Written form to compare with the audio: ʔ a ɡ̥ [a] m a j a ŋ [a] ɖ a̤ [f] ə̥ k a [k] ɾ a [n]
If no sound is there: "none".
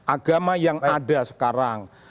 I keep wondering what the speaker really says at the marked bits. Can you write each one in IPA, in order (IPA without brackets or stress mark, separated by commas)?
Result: a, a, s, none, ŋ